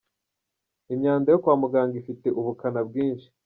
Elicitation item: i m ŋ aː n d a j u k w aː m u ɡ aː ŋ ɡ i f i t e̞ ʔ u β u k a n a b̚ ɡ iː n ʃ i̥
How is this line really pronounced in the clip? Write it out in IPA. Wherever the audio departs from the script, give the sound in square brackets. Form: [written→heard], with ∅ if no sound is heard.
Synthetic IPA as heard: i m [ŋ→ɲ] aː n d a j [u→o] k w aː m u ɡ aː ŋ ɡ i f i t e̞ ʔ u β u k a n a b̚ ɡ iː n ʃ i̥